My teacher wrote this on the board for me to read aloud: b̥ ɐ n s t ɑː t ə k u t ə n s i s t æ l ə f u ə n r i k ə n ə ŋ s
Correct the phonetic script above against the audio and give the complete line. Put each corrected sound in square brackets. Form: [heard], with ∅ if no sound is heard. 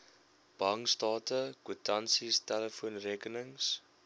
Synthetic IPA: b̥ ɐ [ŋ] s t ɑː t ə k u t [ɐ] n s i s t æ l ə f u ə n r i k ə n ə ŋ s